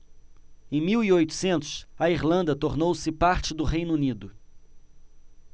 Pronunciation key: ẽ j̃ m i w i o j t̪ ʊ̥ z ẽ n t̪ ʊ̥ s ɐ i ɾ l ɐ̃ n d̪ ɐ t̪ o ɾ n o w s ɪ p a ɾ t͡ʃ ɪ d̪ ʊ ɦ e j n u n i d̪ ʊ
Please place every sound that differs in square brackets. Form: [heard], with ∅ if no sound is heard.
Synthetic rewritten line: ẽ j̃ m i w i o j t̪ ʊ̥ [s] ẽ n t̪ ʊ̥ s ɐ i ɾ l ɐ̃ n d̪ ɐ t̪ o ɾ n o w s ɪ p a ɾ t͡ʃ ɪ d̪ ʊ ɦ e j n u n i d̪ ʊ